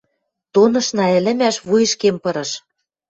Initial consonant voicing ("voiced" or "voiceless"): voiceless